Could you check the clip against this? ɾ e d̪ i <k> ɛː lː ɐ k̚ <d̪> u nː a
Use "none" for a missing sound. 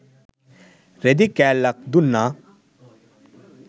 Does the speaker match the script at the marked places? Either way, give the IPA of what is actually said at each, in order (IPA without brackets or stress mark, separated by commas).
k, d̪